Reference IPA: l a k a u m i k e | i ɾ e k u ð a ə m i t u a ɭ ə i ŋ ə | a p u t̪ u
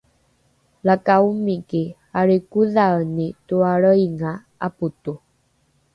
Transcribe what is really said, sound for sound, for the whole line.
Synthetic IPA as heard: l a k a u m i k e | a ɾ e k u ð a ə n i t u a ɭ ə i ŋ a | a p u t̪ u